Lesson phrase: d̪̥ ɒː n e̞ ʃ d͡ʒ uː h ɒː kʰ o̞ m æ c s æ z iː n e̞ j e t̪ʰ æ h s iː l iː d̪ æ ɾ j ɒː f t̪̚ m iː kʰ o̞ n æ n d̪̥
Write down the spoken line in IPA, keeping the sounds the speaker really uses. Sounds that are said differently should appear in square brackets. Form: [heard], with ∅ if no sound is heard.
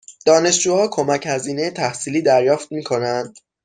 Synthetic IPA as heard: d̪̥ ɒː n e̞ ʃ d͡ʒ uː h ɒː kʰ o̞ m æ c [h] æ z iː n e̞ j e t̪ʰ æ h s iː l iː d̪ æ ɾ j ɒː f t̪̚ m iː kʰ o̞ n æ n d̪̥